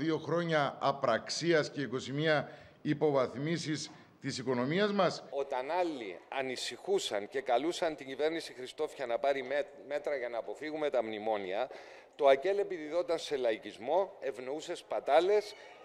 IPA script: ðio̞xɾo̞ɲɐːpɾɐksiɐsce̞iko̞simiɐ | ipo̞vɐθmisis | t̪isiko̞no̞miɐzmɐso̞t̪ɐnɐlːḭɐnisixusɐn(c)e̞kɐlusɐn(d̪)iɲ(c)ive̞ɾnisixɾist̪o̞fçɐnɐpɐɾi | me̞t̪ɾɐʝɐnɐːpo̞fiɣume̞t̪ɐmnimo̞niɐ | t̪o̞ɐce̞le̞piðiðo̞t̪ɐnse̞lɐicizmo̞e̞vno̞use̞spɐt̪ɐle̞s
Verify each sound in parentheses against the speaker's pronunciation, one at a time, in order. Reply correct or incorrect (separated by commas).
correct, incorrect, incorrect